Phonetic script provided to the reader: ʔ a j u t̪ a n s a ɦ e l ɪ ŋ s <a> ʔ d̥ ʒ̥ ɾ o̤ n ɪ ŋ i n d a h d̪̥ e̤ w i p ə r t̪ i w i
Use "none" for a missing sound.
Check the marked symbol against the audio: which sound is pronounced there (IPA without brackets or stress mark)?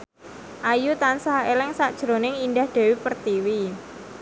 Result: a